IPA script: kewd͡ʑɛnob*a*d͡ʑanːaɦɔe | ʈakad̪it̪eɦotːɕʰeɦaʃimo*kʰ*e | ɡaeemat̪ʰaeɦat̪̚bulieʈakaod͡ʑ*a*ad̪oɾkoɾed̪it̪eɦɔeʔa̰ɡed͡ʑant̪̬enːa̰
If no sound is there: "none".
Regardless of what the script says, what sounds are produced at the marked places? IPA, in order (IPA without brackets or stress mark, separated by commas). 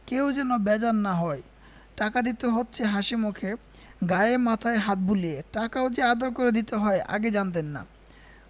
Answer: ɛ, kʰ, e